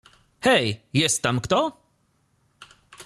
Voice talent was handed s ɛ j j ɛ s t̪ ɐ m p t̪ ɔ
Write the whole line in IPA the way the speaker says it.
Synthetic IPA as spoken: h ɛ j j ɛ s t̪ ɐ m k t̪ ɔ